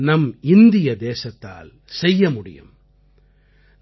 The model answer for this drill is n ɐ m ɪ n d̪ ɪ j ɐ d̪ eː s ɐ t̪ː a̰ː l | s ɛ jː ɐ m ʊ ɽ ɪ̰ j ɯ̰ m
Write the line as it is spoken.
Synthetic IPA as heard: n ɐ m ɪ n d̪ ɪ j ɐ d̪ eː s ɐ t̪ː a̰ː l | s ɛ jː ɐ m ʊ ɽ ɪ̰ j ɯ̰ m